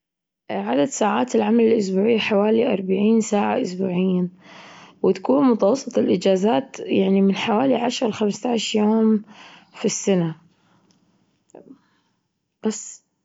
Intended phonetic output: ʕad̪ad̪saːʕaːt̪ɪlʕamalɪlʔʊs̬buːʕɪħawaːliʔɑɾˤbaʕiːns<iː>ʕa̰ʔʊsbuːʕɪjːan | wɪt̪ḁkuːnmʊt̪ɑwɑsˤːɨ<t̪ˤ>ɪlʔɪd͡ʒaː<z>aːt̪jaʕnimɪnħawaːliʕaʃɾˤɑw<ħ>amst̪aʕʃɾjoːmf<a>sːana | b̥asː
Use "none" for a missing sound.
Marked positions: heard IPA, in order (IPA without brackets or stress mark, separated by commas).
aː, t̪ˤ, z, x, i